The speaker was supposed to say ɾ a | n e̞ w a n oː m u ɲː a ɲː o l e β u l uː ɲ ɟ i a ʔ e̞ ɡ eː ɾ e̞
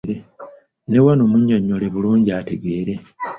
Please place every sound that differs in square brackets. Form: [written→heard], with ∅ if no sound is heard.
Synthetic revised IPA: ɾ [a→e] | n e̞ w a n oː m u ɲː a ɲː o l e β u l uː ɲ ɟ i a [ʔ→t] e̞ ɡ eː ɾ e̞

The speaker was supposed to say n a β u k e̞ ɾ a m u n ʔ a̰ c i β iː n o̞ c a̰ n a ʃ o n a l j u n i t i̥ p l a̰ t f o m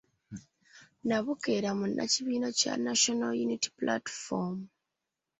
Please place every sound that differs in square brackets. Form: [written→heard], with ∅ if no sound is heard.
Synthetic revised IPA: n a β u k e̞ ɾ a m u n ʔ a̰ c i β iː n o̞ c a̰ n a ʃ o n a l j u n i t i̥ p l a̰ t f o m

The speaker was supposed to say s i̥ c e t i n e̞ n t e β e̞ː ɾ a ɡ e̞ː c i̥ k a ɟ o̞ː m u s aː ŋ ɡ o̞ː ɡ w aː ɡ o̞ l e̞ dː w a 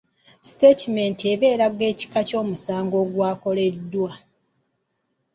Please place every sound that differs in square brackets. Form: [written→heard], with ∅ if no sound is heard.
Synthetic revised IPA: s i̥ [c→t] e t i [n→m] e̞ n t e β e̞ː ɾ a ɡ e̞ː c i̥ k a [ɟ→c] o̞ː m u s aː ŋ ɡ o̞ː ɡ w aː [ɡ→k] o̞ l e̞ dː w a

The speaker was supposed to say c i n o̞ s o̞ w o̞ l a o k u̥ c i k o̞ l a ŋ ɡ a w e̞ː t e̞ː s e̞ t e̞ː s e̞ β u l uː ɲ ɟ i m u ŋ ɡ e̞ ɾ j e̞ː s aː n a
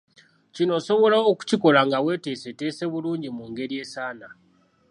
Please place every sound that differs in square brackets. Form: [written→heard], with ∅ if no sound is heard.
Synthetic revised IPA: c i n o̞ s o̞ [w→β] o̞ l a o k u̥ c i k o̞ l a ŋ ɡ a w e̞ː t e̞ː s e̞ t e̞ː s e̞ β u l uː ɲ ɟ i m u ŋ ɡ e̞ ɾ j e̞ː s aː n a

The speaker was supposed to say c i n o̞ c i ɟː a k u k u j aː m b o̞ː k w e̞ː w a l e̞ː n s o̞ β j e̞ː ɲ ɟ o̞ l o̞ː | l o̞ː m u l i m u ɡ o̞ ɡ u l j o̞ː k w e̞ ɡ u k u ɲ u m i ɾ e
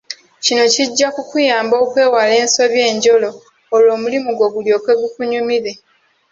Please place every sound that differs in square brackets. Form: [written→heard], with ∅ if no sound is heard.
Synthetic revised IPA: c i n o̞ c i ɟː a k u k u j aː m b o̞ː k w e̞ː w a l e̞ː n s o̞ β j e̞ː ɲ ɟ o̞ l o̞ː | l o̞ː m u l i m u ɡ o̞ ɡ u l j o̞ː k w e̞ ɡ u k u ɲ u m i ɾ e

